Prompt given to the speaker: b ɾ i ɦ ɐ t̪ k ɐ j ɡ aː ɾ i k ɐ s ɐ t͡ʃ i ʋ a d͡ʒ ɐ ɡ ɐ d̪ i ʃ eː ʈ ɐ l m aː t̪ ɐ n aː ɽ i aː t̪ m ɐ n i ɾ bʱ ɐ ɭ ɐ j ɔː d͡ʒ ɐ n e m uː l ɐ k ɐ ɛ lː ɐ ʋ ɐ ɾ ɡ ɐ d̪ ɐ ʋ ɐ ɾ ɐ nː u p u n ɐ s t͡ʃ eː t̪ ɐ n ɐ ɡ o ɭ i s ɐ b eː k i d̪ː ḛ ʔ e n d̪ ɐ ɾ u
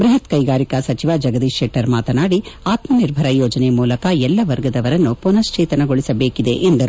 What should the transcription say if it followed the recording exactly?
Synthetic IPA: b ɾ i ɦ ɐ t̪ k ɐ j ɡ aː ɾ i k ɐ s ɐ t͡ʃ i ʋ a d͡ʒ ɐ ɡ ɐ d̪ i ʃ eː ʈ ɐ ɾ m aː t̪ ɐ n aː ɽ i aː t̪ m ɐ n i ɾ bʱ ɐ ɾ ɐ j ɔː d͡ʒ ɐ n e m uː l ɐ k ɐ ɛ lː ɐ ʋ ɐ ɾ ɡ ɐ d̪ ɐ ʋ ɐ ɾ ɐ nː u p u n ɐ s t͡ʃ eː t̪ ɐ n ɐ ɡ o ɭ i s ɐ b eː k i d̪ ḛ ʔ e n d̪ ɐ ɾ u